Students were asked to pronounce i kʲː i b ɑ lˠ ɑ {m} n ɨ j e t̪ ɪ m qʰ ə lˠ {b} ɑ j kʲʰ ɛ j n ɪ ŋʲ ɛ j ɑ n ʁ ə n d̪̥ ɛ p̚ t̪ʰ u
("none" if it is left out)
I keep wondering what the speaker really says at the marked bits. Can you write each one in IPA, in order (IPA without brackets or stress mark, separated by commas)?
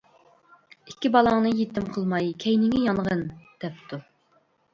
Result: ŋ, m